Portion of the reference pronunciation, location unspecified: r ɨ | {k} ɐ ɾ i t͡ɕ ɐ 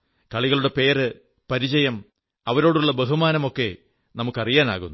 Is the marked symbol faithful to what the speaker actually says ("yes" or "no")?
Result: no